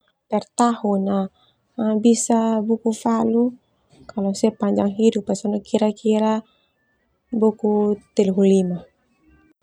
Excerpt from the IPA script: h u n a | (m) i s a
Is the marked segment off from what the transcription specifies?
yes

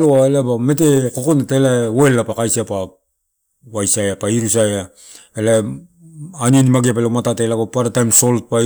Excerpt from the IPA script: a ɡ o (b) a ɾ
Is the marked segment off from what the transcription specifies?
yes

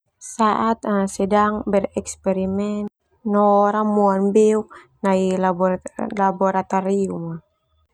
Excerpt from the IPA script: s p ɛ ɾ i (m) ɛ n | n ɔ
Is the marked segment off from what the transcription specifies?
no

